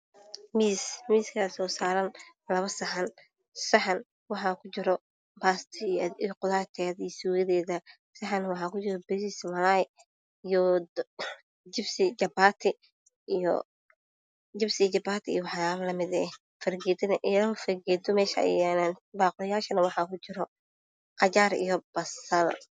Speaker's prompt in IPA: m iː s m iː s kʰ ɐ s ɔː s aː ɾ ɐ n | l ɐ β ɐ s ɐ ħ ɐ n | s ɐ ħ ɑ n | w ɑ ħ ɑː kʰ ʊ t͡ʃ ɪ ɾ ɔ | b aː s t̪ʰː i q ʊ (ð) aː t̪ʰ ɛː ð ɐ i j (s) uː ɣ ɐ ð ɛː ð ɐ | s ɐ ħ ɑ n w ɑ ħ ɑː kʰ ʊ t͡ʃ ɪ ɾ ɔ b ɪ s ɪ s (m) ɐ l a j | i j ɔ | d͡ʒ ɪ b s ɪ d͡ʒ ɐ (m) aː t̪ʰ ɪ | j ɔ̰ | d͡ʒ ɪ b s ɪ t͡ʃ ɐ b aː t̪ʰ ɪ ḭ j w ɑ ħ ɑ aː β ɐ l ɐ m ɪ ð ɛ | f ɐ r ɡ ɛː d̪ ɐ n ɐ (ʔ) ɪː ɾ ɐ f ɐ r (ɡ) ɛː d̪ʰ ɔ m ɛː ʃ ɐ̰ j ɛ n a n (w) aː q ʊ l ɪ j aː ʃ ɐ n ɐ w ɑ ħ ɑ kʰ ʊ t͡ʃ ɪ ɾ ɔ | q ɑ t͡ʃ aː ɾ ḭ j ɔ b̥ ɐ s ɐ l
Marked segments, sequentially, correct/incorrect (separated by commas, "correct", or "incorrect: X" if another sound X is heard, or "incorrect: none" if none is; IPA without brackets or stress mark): correct, correct, correct, incorrect: b, correct, correct, incorrect: b